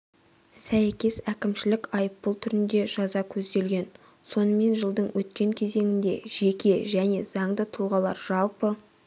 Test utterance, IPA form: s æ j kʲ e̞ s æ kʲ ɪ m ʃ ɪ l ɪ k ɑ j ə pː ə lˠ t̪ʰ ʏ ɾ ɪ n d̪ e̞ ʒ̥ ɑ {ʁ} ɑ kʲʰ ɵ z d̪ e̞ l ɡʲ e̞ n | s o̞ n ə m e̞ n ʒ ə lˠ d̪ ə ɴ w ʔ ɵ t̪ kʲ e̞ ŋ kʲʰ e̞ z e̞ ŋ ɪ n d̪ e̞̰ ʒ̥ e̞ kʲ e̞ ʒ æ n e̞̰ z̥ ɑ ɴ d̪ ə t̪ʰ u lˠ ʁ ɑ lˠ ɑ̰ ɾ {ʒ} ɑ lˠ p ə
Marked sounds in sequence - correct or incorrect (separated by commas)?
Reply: incorrect, correct